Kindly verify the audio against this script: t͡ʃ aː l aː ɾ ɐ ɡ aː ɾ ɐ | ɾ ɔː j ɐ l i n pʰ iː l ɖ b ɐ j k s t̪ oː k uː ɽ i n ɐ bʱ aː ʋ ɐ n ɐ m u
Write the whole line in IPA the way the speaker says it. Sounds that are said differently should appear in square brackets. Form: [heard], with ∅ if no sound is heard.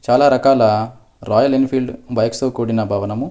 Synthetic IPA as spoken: t͡ʃ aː l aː ɾ ɐ [k] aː [l] ɐ | ɾ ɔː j ɐ l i n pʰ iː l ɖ b ɐ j k s t̪ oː k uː ɽ i n ɐ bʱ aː ʋ ɐ n ɐ m u